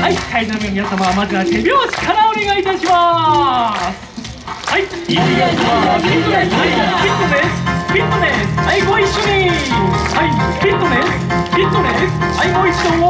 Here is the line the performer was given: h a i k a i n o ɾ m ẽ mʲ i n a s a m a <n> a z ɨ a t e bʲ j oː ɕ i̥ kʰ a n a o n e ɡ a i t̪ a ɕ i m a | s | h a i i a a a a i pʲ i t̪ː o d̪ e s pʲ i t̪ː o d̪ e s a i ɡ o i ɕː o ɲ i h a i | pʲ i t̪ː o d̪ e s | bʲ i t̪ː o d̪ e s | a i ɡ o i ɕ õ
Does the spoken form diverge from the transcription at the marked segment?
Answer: yes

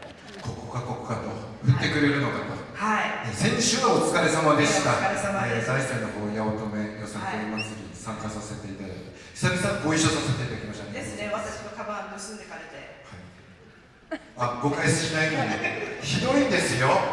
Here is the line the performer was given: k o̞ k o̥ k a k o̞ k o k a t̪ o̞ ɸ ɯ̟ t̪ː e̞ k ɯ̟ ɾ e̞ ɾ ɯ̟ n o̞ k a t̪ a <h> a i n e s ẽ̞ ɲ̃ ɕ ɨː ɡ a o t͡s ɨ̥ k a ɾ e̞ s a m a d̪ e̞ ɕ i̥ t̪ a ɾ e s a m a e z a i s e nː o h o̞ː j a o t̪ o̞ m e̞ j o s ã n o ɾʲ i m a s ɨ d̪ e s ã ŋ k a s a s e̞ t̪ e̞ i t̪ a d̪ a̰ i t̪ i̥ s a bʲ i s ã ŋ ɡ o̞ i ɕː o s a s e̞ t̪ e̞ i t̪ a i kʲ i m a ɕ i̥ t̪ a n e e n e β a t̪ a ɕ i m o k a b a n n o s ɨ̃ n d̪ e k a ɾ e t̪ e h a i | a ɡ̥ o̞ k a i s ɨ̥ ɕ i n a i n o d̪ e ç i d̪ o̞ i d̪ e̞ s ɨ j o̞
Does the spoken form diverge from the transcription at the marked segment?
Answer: no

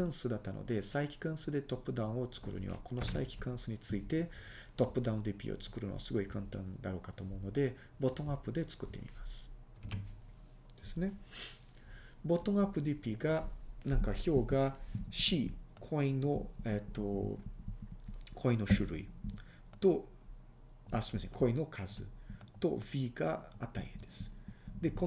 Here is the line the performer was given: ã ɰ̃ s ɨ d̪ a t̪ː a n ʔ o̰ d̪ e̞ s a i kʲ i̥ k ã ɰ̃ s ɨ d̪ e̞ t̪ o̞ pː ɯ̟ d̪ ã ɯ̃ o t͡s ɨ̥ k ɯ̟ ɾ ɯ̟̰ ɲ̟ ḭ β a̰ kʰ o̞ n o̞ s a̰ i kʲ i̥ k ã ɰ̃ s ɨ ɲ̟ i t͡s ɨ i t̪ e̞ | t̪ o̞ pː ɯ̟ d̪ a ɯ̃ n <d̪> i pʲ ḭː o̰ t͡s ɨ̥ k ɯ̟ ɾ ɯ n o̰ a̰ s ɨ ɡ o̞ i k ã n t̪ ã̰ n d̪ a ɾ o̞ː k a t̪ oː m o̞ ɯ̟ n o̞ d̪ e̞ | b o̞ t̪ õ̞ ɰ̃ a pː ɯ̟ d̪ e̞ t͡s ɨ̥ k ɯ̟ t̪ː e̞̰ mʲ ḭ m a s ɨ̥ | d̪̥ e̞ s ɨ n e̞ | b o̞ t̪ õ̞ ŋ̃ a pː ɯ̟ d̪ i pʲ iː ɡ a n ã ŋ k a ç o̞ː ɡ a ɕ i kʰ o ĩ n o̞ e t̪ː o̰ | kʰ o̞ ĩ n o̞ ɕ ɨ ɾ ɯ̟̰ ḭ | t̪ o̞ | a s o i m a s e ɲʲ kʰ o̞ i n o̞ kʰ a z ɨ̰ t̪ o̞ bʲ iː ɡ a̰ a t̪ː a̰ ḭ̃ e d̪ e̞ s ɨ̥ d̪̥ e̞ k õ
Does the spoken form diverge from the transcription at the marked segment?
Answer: no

